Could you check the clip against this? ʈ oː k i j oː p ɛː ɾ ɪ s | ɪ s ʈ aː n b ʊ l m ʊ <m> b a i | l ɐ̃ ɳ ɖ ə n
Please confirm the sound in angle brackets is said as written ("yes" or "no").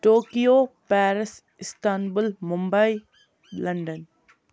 yes